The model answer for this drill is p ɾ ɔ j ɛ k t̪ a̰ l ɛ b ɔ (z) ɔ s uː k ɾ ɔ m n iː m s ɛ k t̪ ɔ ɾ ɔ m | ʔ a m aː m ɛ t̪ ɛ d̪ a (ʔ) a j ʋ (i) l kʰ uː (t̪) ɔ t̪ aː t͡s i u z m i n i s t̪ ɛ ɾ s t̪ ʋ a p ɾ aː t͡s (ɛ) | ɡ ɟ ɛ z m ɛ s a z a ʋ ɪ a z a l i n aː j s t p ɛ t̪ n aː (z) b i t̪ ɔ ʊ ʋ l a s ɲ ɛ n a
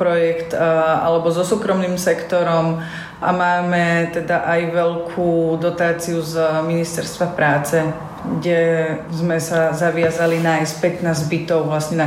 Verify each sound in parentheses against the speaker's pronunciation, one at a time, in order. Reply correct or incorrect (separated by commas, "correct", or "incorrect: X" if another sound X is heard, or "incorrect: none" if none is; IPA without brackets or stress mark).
correct, correct, incorrect: ɛ, incorrect: d̪, correct, correct